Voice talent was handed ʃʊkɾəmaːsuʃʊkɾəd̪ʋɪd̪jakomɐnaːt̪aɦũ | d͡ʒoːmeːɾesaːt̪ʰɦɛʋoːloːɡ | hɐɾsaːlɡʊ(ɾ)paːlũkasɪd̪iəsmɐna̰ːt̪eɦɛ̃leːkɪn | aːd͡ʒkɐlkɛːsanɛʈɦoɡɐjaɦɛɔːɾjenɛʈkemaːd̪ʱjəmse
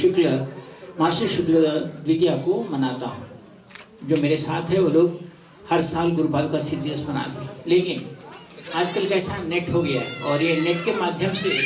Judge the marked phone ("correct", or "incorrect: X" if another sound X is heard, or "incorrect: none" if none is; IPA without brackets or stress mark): correct